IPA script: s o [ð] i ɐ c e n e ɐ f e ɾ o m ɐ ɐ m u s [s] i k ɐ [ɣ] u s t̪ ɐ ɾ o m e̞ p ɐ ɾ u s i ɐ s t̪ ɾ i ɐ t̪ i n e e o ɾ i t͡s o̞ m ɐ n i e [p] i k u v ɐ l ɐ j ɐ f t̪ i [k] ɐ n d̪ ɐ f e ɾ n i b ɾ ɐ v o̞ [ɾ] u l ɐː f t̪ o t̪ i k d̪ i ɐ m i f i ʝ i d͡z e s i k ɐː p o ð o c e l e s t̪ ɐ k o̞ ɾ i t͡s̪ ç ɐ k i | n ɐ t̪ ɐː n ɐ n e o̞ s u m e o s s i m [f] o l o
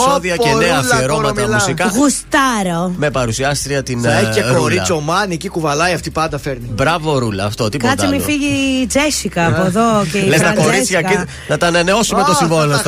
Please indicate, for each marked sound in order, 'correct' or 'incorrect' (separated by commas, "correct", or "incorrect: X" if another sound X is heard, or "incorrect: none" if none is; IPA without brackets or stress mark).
correct, correct, correct, incorrect: c, incorrect: p, correct, incorrect: v